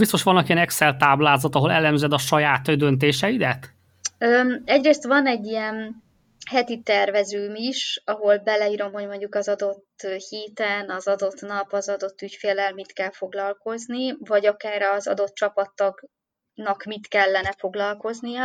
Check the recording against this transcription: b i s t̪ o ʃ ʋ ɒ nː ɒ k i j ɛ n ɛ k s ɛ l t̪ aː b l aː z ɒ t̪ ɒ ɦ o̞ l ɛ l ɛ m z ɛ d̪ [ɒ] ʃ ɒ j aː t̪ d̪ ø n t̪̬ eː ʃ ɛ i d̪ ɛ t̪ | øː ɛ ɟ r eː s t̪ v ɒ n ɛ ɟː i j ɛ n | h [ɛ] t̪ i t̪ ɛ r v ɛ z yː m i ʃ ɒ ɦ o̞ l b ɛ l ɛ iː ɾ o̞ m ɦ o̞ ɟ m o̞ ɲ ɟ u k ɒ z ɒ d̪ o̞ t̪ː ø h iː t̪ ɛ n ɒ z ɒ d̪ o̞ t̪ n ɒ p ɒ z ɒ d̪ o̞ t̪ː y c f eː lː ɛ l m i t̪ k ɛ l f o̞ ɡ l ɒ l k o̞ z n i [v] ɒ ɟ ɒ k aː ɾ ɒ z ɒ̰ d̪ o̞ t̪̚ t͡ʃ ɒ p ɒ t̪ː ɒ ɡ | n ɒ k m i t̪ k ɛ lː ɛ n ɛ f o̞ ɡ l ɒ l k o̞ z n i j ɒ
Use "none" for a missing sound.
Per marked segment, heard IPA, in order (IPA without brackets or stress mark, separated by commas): ɒ, ɛ, v